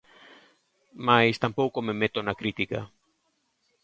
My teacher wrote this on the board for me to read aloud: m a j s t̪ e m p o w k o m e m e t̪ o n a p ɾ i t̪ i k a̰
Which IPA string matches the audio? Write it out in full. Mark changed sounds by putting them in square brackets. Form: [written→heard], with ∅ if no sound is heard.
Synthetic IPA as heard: m a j s t̪ [e→a] m p o w k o m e m e t̪ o n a [p→k] ɾ i t̪ i k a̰